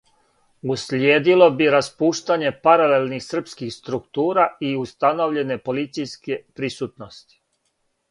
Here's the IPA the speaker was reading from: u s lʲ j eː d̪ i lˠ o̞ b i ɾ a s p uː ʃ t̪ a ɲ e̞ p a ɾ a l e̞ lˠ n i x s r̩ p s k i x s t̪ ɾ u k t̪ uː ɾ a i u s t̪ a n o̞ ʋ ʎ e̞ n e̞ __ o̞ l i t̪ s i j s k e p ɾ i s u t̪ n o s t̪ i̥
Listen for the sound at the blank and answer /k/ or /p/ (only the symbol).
p